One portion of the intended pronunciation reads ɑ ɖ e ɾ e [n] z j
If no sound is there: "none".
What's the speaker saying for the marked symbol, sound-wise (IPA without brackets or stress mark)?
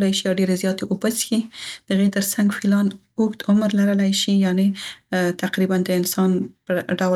none